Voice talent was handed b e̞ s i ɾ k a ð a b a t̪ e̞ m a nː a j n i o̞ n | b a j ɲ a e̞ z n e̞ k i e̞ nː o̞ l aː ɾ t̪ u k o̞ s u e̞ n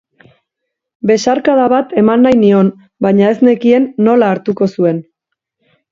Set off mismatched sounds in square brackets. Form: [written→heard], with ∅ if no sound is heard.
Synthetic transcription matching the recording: b e̞ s [i→a] ɾ k a ð a [b→β] a t̪ e̞ m a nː a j n i o̞ n | b a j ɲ a e̞ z n e̞ k i e̞ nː o̞ l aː ɾ t̪ u k o̞ s u e̞ n